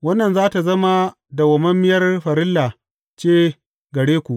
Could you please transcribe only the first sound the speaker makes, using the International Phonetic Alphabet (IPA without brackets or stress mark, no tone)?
w